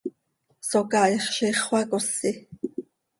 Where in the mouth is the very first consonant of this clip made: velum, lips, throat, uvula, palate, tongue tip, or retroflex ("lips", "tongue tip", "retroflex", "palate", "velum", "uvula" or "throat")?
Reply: tongue tip